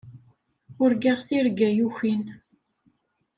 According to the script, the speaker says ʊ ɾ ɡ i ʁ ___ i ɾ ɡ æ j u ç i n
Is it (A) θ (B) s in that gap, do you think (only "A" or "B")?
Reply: A